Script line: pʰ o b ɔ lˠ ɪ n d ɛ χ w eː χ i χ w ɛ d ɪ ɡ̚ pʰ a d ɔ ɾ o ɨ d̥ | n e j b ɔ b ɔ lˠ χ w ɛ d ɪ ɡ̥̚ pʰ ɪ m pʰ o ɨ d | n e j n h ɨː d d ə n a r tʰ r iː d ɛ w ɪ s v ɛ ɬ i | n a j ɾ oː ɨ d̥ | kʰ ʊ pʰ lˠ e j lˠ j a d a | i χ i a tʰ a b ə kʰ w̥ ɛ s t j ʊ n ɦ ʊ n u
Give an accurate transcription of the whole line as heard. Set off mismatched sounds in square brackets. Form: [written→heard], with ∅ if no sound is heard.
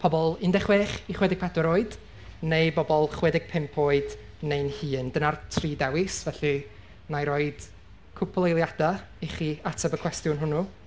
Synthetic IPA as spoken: pʰ [o→ɔ] b ɔ lˠ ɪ n d ɛ χ w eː χ i χ w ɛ d ɪ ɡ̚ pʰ a d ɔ ɾ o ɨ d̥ | n e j b ɔ b ɔ lˠ χ w ɛ d ɪ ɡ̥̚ pʰ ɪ m pʰ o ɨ d | n e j n h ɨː [d→n] d ə n a r tʰ r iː d ɛ w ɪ s v ɛ ɬ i | n a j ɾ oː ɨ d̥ | kʰ ʊ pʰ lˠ e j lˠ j a d a | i χ i a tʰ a b ə kʰ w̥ ɛ s t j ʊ n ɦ ʊ n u